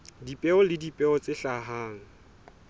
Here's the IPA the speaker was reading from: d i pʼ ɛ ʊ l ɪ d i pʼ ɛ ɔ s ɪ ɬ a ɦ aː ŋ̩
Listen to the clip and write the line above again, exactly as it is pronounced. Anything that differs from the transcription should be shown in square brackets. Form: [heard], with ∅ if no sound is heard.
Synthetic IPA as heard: d i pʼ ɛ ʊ l ɪ d i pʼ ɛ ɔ [t͡s] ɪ ɬ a ɦ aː ŋ̩